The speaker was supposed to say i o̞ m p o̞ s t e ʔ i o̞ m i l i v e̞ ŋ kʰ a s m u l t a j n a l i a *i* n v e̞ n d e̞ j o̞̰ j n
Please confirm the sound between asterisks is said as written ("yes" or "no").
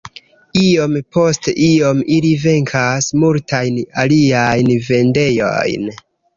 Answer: no